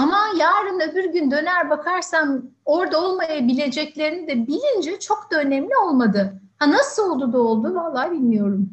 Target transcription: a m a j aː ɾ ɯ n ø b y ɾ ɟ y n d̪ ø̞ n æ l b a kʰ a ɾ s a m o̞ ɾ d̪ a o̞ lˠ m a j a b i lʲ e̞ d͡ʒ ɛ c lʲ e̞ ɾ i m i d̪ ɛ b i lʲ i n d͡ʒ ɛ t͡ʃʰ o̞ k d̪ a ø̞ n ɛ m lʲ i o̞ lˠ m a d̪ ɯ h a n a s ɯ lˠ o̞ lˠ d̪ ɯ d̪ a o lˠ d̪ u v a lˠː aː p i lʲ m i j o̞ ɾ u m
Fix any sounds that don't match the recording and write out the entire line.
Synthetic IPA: a m a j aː ɾ ɯ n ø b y ɾ ɟ y n d̪ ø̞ n æ ɾ b a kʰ a ɾ s a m o̞ ɾ d̪ a o̞ lˠ m a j a b i lʲ e̞ d͡ʒ ɛ c lʲ e̞ ɾ i n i d̪ ɛ b i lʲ i n d͡ʒ ɛ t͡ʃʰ o̞ k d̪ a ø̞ n ɛ m lʲ i o̞ lˠ m a d̪ ɯ h a n a s ɯ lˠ o̞ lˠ d̪ u d̪ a o lˠ d̪ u v a lˠː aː b i lʲ m i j o̞ ɾ u m